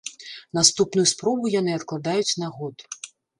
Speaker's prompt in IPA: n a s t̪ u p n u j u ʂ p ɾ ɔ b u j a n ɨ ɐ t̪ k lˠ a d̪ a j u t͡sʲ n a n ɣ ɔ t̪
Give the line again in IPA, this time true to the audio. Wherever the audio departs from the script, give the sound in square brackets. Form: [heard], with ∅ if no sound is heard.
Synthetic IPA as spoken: n a s t̪ u p n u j u [s] p ɾ ɔ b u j a n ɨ ɐ t̪ k lˠ a d̪ a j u t͡sʲ n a [∅] ɣ ɔ t̪